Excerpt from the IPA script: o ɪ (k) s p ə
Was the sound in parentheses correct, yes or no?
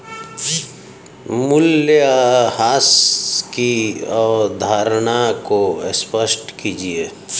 no